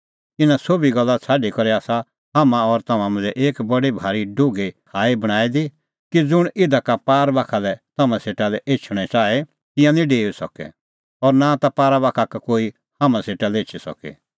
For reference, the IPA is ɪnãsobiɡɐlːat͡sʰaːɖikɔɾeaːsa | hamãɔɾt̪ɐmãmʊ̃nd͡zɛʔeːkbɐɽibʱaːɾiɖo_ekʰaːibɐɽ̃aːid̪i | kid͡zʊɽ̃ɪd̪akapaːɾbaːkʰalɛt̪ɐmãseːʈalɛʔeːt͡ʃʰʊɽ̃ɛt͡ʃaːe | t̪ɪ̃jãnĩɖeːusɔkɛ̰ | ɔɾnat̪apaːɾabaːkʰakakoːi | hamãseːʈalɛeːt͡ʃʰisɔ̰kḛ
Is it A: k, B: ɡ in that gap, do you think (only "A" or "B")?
B